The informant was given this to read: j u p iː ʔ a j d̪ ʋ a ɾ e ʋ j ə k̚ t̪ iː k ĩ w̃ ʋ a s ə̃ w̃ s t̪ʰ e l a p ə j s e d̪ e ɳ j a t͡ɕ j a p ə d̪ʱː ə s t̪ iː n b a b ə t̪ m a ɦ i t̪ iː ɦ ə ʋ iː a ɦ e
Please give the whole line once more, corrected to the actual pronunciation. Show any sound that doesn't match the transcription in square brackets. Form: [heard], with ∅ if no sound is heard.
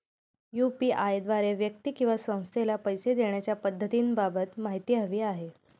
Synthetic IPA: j u p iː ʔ a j d̪ ʋ a ɾ e ʋ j ə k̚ t̪ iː k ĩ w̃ ʋ a s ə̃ w̃ s t̪ʰ e l a p ə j s e d̪ e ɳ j a t͡ɕ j a p ə d̪ʱː ə [∅] t̪ iː n b a b ə t̪ m a ɦ i t̪ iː ɦ ə ʋ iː a ɦ e